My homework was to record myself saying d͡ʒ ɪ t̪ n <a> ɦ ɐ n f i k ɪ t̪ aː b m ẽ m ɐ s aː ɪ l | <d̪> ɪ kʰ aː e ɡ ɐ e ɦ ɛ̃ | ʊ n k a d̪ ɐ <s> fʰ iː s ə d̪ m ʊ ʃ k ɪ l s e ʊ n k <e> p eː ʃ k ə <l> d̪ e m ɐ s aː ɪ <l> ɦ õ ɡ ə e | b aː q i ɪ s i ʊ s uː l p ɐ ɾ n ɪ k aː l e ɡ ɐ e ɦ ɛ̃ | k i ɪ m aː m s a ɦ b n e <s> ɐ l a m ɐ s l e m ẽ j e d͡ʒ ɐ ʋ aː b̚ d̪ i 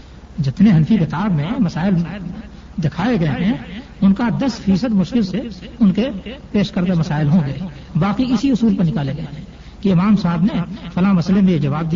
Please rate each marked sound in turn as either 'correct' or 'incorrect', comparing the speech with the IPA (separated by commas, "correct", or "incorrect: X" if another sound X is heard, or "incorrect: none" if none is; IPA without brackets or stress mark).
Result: incorrect: e, correct, correct, correct, incorrect: ɾ, correct, incorrect: f